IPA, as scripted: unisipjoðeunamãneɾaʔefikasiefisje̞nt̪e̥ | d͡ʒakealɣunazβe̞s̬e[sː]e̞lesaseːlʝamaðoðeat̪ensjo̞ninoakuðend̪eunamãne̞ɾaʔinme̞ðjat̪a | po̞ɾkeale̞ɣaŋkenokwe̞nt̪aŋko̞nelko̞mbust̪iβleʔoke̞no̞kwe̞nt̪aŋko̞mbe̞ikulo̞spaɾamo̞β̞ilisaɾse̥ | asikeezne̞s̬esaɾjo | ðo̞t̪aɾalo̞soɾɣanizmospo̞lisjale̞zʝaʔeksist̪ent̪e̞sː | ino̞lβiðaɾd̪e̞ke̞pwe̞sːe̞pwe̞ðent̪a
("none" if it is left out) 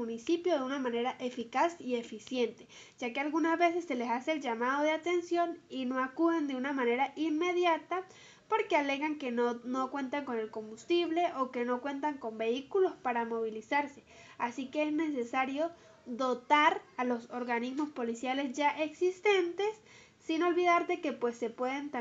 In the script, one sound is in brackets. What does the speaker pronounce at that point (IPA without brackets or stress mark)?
sː